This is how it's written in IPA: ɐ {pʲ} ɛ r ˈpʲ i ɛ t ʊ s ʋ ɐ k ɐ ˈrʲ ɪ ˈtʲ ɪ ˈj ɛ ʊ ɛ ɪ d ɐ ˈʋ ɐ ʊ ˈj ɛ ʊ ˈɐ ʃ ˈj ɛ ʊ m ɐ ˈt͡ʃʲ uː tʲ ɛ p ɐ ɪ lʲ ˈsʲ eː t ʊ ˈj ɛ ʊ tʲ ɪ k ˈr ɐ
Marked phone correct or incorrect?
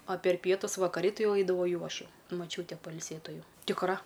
correct